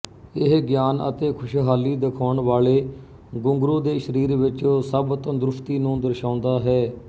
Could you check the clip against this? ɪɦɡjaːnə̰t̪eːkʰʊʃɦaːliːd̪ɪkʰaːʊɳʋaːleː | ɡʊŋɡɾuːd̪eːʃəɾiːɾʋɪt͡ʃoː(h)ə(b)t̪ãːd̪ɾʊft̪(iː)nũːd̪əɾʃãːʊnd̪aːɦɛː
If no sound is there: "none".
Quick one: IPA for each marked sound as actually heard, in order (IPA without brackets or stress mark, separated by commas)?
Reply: s, b, iː